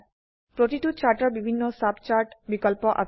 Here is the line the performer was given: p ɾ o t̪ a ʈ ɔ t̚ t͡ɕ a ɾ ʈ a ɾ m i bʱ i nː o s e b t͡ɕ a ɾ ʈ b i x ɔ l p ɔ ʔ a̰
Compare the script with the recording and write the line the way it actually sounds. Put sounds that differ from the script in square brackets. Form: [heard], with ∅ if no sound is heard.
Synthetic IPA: p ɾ o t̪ [i] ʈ [u] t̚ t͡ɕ a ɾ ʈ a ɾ [b] i bʱ i nː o s [a] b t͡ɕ a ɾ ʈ b i [k] ɔ l p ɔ ʔ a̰